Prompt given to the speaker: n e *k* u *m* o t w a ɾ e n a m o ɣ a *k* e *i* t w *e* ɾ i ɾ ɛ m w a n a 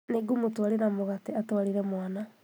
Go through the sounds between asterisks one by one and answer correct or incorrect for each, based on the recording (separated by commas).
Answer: incorrect, correct, incorrect, incorrect, incorrect